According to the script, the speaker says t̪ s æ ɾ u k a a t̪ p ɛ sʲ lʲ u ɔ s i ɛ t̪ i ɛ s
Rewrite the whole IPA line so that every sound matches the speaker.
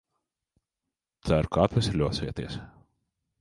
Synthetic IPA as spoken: t̪ s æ ɾ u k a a t̪ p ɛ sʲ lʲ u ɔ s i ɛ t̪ i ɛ s